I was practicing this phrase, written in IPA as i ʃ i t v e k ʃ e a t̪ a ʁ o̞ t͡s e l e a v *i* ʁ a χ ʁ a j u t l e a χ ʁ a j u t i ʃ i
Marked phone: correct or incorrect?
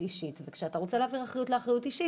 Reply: correct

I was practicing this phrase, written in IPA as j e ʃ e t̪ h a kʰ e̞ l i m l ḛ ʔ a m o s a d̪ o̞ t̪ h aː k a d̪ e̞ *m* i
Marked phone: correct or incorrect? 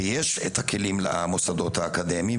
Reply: correct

